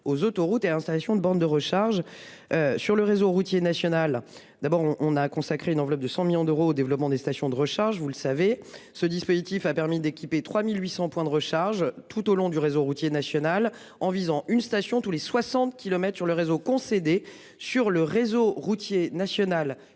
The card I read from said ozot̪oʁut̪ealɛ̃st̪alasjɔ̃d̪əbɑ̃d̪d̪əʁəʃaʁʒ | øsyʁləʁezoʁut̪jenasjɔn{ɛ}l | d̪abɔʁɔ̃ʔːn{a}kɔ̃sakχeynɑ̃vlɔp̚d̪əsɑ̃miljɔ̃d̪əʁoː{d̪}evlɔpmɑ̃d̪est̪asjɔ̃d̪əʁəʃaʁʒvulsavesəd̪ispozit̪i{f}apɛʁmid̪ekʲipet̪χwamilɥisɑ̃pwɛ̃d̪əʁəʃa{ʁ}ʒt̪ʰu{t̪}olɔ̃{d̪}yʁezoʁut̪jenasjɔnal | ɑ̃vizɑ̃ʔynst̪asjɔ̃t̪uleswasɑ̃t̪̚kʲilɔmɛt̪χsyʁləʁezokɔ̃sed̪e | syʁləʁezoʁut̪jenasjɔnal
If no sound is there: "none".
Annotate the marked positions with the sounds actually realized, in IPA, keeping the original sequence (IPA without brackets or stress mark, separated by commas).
a, a, d̪, f, ʁ, t̪, d̪